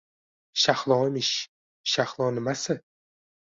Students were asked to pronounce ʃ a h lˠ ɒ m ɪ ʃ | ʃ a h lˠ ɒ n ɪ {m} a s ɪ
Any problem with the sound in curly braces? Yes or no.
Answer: no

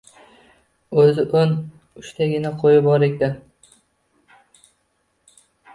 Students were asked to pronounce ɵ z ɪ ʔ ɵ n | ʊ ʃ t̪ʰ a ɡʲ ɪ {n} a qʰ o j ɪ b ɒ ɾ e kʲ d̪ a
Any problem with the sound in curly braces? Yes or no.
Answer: no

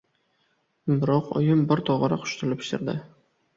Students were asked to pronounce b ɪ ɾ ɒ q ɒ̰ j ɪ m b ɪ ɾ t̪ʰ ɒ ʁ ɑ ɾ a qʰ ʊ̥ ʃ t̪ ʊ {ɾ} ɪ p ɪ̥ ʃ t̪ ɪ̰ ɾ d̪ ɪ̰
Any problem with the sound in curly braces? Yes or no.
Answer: yes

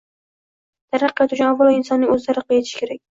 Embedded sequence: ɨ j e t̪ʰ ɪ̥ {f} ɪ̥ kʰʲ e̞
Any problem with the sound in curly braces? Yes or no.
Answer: yes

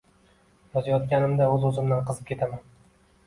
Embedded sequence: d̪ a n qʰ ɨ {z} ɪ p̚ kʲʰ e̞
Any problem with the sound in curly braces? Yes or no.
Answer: no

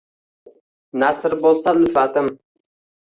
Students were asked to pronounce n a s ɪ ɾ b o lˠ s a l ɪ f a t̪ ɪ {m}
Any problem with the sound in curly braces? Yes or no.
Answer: no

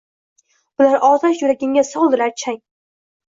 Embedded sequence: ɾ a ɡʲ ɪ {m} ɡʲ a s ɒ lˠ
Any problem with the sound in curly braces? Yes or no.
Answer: yes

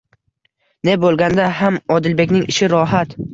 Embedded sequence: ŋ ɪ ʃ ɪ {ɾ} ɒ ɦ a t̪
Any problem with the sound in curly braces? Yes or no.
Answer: no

